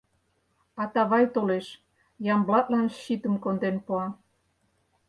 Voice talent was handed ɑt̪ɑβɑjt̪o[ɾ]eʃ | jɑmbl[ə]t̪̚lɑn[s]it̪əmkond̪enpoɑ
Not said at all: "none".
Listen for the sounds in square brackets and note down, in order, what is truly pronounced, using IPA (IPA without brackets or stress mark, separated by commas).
l, ɑ, ʃ